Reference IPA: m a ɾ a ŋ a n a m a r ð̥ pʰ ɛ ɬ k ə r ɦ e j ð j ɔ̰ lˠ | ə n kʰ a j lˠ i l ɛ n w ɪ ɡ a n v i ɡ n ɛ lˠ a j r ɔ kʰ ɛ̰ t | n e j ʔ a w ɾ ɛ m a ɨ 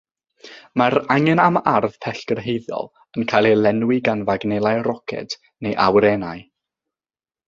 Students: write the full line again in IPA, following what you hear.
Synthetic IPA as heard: m a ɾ a ŋ ɛ n a m a r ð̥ pʰ ɛ ɬ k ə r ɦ e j ð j ɔ̰ lˠ | ə n kʰ a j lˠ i l ɛ n w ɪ ɡ a n v a ɡ n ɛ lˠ a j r ɔ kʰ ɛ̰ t | n e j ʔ a w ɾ ɛ n a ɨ